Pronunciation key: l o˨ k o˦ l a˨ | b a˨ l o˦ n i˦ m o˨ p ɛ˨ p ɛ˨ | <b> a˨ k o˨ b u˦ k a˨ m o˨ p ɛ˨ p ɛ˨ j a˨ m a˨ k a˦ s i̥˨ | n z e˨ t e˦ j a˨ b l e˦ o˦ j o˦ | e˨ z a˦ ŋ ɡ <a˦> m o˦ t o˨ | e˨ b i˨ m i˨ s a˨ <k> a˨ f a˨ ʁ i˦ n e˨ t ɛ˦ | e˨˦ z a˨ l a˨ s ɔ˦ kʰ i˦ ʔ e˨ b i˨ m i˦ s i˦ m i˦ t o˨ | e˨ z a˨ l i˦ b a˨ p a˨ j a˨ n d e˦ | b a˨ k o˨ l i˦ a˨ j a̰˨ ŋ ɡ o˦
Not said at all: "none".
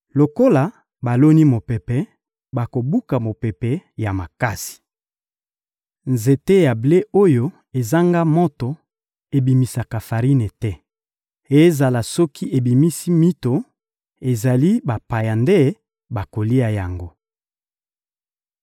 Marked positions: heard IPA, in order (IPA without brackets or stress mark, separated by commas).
b, a˦, k